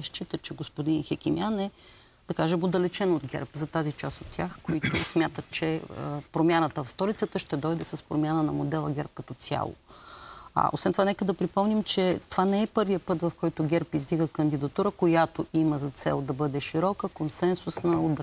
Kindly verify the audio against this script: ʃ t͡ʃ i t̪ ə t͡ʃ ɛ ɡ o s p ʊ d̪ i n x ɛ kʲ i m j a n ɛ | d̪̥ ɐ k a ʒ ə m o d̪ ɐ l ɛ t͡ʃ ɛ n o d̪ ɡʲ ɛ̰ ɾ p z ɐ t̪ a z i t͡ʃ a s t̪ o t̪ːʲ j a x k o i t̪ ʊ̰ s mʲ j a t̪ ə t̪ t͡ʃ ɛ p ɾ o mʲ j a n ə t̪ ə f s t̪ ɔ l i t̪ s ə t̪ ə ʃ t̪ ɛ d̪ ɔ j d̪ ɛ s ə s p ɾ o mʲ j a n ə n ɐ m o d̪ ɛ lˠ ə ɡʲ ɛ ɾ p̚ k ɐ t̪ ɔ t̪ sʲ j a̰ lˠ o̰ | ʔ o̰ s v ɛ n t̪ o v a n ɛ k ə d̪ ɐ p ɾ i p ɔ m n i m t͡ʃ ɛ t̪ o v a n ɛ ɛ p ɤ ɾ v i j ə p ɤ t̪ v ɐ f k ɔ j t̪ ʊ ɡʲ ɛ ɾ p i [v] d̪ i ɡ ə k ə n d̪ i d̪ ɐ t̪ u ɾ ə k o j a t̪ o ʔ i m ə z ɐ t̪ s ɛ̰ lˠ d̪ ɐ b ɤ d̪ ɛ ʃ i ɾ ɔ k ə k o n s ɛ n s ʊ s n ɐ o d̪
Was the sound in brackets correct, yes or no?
no